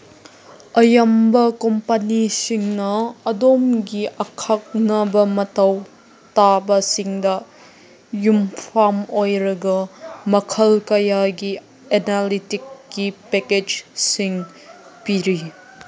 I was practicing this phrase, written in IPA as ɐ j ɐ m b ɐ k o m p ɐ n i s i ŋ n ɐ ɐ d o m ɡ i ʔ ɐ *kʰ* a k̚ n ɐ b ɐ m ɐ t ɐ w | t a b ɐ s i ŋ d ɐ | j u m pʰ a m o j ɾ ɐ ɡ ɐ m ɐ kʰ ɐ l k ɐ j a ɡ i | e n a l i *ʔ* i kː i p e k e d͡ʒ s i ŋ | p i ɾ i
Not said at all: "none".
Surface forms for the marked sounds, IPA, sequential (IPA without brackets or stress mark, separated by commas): kʰ, t